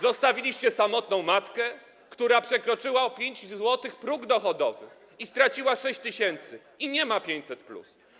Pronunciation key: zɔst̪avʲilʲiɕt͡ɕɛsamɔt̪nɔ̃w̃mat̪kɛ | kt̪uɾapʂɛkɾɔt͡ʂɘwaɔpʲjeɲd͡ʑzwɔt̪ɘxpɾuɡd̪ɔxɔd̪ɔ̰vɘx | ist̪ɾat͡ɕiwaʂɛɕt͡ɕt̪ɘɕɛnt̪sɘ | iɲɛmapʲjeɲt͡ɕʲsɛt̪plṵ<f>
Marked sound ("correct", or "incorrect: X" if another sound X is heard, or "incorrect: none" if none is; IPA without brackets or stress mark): incorrect: s